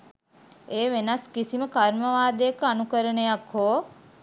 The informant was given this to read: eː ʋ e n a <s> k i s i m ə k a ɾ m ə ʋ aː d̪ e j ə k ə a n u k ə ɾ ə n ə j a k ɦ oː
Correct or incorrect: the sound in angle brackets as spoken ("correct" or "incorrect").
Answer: correct